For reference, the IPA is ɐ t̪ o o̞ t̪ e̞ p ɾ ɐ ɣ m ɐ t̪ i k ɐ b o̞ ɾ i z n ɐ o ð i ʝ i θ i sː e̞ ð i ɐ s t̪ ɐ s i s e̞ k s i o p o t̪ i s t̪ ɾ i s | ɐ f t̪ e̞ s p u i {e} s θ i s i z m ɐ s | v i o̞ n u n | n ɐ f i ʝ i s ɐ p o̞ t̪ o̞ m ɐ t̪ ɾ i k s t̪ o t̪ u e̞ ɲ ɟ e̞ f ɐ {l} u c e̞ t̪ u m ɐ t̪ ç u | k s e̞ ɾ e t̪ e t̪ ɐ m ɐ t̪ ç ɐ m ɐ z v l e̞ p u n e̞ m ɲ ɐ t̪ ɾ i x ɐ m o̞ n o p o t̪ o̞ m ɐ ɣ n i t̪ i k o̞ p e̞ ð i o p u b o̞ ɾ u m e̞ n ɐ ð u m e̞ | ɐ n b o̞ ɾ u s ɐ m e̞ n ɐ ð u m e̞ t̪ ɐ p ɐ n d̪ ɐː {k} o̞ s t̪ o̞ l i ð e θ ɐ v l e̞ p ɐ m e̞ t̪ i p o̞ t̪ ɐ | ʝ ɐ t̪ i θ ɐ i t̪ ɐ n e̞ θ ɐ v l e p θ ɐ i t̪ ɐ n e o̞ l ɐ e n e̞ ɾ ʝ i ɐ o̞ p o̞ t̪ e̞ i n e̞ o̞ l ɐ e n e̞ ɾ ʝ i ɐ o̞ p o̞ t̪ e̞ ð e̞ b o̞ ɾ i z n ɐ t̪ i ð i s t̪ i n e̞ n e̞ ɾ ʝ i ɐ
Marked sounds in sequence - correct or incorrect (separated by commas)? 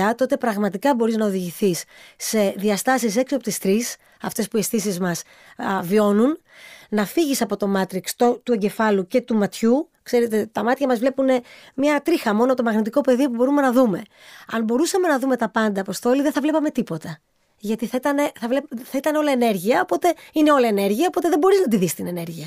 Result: correct, correct, incorrect